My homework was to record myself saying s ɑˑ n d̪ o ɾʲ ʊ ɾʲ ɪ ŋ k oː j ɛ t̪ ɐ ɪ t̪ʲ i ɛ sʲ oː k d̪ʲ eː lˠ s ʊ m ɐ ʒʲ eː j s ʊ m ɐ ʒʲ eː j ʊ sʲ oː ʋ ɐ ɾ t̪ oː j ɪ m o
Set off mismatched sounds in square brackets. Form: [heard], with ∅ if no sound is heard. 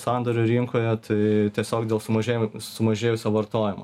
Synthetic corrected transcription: s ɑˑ n d̪ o ɾʲ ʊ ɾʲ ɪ ŋ k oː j ɛ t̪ ɐ ɪ t̪ʲ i ɛ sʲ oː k d̪ʲ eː lˠ s ʊ m ɐ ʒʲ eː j s ʊ m ɐ ʒʲ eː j ʊ sʲ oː ʋ ɐ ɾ t̪ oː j ɪ m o

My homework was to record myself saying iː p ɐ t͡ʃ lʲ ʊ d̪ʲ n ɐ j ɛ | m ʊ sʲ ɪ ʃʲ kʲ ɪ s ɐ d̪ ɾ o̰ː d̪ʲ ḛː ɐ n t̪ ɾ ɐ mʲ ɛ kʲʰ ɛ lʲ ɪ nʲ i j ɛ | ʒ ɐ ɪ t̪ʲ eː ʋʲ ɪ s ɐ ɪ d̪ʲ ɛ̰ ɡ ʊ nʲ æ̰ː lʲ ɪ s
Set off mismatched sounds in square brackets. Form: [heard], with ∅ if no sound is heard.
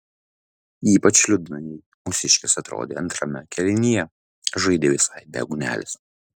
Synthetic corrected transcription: iː p ɐ t͡ʃ lʲ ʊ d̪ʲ n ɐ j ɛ | m ʊ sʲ ɪ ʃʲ kʲ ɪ s ɐ [t̪] ɾ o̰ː d̪ʲ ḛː ɐ n t̪ ɾ ɐ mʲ ɛ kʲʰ ɛ lʲ ɪ nʲ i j ɛ | ʒ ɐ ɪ [d̪ʲ] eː ʋʲ ɪ s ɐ ɪ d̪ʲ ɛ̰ ɡ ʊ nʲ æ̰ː lʲ ɪ s

